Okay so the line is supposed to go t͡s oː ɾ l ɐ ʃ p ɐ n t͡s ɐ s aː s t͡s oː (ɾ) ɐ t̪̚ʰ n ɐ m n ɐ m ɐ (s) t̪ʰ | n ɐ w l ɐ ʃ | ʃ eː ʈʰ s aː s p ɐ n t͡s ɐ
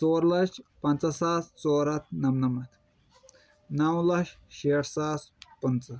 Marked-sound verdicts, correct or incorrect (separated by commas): correct, incorrect